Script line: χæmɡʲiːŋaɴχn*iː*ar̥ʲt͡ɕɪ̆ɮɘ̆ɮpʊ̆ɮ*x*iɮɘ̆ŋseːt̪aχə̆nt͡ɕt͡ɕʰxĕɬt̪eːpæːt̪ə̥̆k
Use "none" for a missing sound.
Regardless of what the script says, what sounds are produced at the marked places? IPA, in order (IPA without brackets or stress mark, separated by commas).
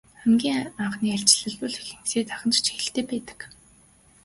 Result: iː, x